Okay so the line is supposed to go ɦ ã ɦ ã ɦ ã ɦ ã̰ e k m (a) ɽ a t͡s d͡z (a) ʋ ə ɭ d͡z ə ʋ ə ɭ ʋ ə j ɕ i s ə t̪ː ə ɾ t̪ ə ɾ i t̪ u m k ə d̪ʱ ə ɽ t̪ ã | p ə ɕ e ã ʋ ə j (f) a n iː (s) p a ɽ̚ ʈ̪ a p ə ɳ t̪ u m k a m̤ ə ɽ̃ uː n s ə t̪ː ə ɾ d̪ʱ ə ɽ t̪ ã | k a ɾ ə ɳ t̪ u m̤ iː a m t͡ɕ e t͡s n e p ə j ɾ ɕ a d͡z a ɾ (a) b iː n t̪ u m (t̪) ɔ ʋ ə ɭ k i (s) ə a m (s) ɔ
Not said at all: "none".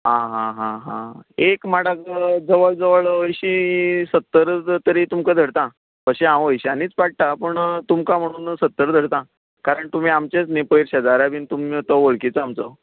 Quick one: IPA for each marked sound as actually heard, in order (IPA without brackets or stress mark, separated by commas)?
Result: a, ə, ɕ, t͡s, a, t̪, t͡s, t͡s